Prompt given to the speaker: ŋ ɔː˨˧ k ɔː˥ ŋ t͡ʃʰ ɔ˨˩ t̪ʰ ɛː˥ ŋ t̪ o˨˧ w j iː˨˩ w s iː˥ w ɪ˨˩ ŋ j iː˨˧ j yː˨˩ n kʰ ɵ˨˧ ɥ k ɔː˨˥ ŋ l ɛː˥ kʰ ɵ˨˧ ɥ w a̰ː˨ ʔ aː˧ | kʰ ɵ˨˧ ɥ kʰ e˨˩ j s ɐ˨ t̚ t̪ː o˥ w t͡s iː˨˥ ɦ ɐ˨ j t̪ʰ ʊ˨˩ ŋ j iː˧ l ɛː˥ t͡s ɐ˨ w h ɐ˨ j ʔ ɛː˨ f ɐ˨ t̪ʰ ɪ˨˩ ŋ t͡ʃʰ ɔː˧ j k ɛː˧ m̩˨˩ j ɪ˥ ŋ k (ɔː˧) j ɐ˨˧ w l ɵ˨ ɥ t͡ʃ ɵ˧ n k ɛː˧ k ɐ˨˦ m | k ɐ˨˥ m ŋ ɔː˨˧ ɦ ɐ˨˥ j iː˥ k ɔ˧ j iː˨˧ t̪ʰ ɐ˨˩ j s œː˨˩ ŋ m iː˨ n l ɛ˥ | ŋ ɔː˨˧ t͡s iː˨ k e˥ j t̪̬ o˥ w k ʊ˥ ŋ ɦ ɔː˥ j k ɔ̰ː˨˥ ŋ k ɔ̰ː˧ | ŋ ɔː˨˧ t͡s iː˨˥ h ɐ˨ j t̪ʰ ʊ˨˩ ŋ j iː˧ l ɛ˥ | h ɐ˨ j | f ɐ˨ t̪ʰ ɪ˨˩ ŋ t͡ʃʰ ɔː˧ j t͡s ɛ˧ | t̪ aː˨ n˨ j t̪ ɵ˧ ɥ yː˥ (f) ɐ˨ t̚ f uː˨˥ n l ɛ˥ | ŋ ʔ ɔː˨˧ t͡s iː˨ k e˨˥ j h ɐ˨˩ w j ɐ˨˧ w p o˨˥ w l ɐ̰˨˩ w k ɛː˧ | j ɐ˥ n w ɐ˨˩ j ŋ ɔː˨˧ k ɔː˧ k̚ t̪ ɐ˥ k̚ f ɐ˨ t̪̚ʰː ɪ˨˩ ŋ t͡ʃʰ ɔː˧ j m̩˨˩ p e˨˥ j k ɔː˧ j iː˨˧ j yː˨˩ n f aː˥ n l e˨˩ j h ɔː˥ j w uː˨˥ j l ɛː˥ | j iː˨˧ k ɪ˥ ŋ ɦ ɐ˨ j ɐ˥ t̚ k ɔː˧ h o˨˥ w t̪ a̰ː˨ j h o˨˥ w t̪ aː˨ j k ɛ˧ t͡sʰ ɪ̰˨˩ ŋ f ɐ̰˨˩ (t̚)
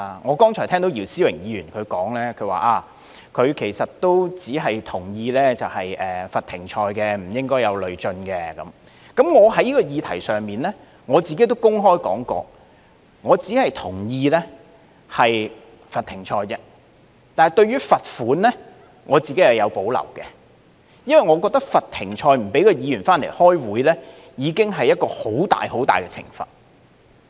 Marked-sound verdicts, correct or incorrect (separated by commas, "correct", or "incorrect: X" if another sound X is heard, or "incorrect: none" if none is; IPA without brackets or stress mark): incorrect: ɔː˥, correct, correct